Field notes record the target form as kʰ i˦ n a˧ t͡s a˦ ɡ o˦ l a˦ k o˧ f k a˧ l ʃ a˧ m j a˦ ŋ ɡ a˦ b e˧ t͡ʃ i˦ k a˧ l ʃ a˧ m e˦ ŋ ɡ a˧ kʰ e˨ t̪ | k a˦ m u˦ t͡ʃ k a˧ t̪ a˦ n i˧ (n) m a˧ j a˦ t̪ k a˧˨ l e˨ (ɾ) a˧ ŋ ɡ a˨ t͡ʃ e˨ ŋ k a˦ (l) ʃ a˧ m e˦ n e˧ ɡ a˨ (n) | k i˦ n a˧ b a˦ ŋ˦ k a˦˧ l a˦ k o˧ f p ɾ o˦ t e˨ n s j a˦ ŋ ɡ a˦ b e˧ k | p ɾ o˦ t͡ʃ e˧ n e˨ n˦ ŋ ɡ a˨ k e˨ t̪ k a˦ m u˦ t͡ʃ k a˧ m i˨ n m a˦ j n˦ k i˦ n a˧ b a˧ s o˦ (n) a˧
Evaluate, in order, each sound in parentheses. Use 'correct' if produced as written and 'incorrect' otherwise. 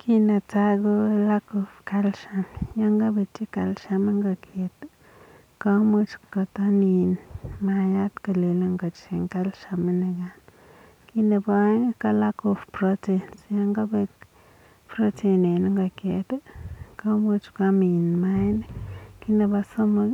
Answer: correct, incorrect, correct, correct, incorrect

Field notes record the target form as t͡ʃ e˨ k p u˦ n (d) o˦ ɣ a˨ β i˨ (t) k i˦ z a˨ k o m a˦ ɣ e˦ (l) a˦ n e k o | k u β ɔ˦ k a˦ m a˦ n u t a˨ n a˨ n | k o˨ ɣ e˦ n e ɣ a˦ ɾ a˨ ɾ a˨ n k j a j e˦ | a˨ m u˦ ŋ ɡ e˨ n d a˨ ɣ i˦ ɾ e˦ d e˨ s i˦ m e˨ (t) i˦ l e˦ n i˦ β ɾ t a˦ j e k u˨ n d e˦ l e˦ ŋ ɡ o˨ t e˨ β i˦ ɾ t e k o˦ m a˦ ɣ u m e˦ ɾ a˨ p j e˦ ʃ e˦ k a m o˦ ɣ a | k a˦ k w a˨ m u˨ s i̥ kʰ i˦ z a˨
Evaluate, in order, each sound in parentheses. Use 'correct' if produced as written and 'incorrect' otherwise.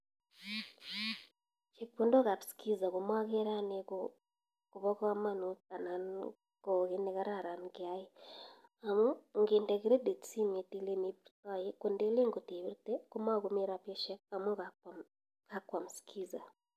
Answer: correct, incorrect, incorrect, correct

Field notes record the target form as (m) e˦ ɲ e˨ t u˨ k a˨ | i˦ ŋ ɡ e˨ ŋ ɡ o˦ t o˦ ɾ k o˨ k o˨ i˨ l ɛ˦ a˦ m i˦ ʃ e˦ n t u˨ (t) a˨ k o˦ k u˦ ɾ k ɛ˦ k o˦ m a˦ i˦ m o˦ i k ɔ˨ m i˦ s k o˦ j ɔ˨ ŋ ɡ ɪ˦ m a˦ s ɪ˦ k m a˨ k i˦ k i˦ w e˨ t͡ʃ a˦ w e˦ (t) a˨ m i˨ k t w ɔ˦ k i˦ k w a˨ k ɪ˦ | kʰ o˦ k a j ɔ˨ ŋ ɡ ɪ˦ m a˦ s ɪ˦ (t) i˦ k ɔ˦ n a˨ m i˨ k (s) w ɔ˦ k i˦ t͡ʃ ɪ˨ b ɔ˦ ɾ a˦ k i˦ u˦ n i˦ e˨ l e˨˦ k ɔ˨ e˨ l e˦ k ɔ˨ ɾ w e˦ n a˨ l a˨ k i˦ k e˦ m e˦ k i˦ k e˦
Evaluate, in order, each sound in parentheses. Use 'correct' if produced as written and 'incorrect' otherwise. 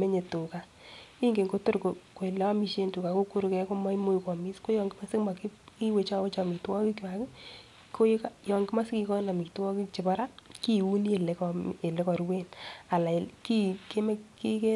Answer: correct, incorrect, incorrect, incorrect, incorrect

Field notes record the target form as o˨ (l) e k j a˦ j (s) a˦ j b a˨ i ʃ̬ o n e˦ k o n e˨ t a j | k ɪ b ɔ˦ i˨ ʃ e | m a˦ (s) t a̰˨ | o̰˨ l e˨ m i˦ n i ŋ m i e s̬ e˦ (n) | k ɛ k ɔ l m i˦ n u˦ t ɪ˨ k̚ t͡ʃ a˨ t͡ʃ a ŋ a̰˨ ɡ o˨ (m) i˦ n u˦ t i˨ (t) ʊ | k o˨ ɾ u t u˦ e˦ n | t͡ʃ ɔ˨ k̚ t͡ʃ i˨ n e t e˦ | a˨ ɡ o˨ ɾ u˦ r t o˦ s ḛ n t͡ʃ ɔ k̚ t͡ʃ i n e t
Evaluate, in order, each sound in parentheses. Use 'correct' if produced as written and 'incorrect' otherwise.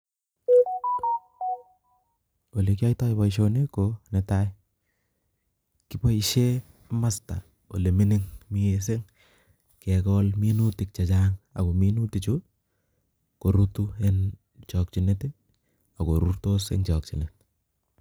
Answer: correct, incorrect, correct, incorrect, correct, incorrect

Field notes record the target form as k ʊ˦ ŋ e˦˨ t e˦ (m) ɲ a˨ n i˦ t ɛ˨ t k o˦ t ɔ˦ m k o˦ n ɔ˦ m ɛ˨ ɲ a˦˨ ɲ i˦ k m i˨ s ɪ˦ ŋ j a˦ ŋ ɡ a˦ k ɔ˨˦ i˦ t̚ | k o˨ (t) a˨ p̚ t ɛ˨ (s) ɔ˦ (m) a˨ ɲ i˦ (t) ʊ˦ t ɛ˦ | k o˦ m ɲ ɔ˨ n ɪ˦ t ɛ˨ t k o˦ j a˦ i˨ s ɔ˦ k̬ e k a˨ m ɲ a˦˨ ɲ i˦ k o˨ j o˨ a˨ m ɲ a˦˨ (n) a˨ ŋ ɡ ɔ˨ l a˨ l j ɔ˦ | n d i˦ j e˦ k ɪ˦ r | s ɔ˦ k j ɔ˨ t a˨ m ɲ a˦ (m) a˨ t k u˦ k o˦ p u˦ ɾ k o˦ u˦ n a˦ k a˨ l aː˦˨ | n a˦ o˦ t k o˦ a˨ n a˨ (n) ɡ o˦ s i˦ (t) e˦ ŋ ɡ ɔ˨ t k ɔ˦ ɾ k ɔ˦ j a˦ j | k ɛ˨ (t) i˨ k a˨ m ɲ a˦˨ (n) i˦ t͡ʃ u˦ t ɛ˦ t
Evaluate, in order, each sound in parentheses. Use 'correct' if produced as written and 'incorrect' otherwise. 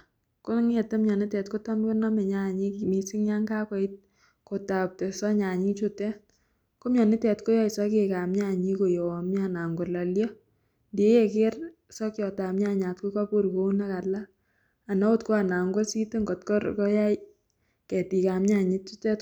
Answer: correct, correct, correct, incorrect, incorrect, correct, incorrect, incorrect, correct, correct, incorrect

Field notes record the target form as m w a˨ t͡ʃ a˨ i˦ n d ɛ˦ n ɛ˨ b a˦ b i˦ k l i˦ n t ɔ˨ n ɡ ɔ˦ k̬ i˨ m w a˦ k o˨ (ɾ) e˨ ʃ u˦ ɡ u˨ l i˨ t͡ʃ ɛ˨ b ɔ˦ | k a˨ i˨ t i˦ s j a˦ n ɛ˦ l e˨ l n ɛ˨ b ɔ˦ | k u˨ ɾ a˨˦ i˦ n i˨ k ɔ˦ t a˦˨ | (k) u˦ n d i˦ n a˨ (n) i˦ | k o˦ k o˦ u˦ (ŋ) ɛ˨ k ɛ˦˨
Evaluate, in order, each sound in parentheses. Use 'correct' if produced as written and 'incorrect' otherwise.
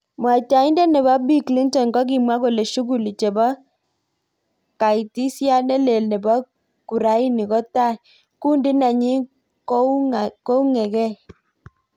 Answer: incorrect, correct, incorrect, correct

